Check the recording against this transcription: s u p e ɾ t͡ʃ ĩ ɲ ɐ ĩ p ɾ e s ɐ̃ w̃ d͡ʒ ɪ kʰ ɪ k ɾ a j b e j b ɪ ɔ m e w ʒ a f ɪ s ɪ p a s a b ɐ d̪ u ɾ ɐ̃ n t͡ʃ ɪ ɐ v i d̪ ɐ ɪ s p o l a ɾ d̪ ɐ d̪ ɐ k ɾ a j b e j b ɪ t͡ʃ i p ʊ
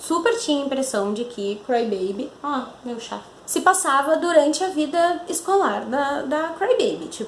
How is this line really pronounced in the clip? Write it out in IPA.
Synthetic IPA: s u p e ɾ t͡ʃ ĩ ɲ ɐ ĩ p ɾ e s ɐ̃ w̃ d͡ʒ ɪ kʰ ɪ k ɾ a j b e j b ɪ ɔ m e w ʃ a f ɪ s ɪ p a s a v ɐ d̪ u ɾ ɐ̃ n t͡ʃ ɪ ɐ v i d̪ ɐ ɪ s k o l a ɾ d̪ ɐ d̪ ɐ k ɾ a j b e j b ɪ t͡ʃ i p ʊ